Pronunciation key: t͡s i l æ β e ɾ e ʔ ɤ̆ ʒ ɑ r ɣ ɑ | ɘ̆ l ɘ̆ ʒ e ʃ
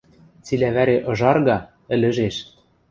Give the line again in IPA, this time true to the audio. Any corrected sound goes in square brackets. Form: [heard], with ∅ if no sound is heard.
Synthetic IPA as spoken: t͡s i l æ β [æ] ɾ e ʔ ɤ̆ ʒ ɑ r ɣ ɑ | ɘ̆ l ɘ̆ ʒ e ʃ